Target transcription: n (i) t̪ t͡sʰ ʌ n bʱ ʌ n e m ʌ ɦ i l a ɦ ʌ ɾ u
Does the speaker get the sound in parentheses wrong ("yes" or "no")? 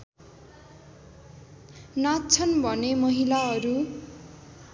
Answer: yes